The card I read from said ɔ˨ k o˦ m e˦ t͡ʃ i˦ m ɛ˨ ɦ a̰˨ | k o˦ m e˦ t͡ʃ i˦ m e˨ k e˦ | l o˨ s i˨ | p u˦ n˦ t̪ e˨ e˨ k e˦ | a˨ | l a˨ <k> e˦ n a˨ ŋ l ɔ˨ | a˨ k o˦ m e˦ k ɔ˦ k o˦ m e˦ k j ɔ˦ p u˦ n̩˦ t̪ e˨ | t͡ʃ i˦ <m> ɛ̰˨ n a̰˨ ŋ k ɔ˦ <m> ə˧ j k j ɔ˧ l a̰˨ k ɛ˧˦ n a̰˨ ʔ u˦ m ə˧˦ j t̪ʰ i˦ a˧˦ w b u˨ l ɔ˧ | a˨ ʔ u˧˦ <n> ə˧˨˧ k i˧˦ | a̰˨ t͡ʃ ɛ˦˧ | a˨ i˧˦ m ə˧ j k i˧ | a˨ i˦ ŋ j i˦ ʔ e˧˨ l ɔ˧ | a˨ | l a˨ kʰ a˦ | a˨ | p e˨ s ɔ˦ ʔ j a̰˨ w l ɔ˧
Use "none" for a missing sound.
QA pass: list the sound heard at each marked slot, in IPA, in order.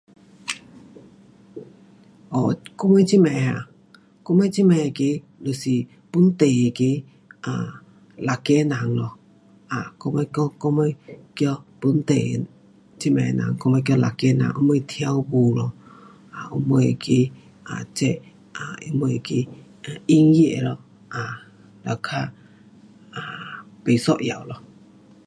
k, m, m, m

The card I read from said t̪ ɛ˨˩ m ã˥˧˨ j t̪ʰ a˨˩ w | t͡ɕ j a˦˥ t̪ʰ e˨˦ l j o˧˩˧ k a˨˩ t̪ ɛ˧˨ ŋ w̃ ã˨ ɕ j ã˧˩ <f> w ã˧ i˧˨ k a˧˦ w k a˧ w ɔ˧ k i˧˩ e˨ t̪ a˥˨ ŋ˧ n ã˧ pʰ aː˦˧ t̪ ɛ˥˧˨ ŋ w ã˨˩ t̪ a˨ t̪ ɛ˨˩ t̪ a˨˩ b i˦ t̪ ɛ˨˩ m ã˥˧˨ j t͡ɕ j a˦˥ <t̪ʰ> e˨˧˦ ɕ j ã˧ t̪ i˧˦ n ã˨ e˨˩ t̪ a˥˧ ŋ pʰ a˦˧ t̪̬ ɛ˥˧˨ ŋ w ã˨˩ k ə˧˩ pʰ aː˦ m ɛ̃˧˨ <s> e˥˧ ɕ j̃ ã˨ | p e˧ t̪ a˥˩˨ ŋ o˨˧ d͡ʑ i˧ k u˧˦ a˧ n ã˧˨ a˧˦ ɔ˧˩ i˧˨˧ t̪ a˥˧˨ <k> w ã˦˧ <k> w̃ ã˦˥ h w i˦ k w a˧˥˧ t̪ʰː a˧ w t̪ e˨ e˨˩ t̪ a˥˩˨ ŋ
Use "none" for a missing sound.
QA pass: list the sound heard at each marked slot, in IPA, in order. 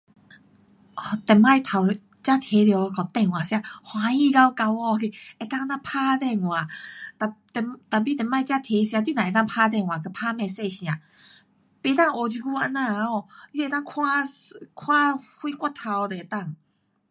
h, t̪ʰ, s, kʰ, kʰ

